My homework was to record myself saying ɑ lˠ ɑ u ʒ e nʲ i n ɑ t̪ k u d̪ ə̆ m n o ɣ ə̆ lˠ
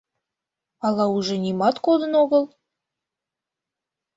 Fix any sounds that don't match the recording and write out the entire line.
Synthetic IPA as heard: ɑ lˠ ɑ u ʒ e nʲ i m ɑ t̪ k o d̪ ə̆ n o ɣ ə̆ lˠ